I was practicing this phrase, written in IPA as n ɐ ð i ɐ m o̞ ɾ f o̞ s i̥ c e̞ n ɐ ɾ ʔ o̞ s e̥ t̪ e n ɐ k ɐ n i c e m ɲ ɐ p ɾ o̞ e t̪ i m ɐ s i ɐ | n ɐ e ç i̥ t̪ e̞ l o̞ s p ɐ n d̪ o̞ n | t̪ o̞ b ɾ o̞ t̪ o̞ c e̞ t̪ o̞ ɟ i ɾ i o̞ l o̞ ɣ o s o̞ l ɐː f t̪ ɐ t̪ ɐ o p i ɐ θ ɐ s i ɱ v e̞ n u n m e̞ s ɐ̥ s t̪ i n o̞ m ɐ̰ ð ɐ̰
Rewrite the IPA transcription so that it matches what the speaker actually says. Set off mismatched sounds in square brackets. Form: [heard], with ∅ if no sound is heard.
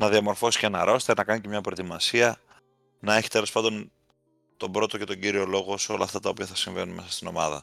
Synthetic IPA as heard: n ɐ ð i ɐ m o̞ ɾ f o̞ s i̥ c e̞ n ɐ ɾ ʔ o̞ s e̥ t̪ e n ɐ k ɐ n i c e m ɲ ɐ p ɾ o̞ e t̪ i m ɐ s i ɐ | n ɐ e ç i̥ t̪ e̞ l o̞ s p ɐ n d̪ o̞ n | t̪ o̞ b ɾ o̞ t̪ o̞ c e̞ t̪ o̞ ɟ i ɾ i o̞ l o̞ ɣ o s o̞ l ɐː f t̪ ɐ t̪ ɐ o p i ɐ θ ɐ s i ɱ v e̞ n u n m e̞ s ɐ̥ s t̪ i n o̞ m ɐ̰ ð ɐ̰